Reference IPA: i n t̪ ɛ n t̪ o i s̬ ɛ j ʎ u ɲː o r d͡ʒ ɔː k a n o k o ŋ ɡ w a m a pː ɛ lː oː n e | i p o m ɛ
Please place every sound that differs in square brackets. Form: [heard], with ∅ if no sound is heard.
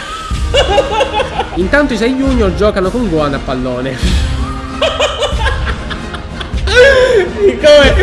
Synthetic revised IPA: i n t̪ [a] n t̪ o i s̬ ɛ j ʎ u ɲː o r d͡ʒ ɔː k a n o k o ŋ ɡ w a [n] a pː [a] lː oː n e | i [k] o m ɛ